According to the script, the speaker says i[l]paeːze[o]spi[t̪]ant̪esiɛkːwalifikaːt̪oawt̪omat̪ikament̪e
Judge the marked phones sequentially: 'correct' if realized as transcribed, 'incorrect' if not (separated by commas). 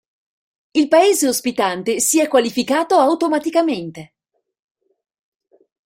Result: correct, correct, correct